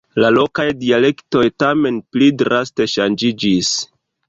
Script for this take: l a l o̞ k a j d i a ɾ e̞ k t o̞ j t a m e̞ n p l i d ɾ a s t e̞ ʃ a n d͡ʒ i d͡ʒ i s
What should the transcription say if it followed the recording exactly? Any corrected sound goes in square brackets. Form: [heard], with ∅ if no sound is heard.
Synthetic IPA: l a l o̞ k a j d i a [l] e̞ k t o̞ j t a m e̞ n p l i d ɾ a s t e̞ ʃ a n d͡ʒ i d͡ʒ i s